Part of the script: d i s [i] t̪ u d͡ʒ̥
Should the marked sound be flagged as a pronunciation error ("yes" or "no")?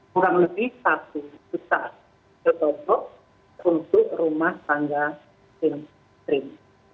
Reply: yes